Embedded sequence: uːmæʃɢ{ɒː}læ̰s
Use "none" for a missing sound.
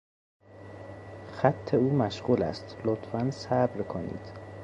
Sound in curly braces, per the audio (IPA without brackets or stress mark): uː